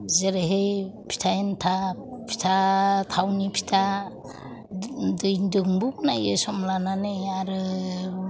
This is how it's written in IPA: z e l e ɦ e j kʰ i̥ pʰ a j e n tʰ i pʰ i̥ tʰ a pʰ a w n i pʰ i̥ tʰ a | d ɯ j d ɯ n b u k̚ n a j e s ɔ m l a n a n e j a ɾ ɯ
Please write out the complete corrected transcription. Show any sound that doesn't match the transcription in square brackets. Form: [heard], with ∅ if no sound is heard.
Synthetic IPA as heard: z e [ɾ] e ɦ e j [pʰ] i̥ [tʰ] a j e n tʰ [a] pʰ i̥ tʰ a [tʰ] a w n i pʰ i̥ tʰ a | d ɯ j d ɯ [ŋ] b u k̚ n a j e s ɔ m l a n a n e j a ɾ ɯ